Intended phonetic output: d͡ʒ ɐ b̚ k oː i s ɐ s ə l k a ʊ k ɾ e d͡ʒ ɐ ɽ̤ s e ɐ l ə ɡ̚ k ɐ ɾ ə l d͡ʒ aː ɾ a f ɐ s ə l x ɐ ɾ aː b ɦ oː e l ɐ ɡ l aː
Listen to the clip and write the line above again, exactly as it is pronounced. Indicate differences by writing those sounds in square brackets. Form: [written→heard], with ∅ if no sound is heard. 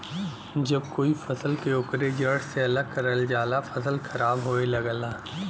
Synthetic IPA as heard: d͡ʒ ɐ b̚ k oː i [s→f] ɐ s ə l k [a→e] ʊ k ɾ e d͡ʒ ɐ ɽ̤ s e ɐ l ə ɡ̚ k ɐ ɾ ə l d͡ʒ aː [ɾ→l] a f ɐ s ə l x ɐ ɾ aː b ɦ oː e l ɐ ɡ l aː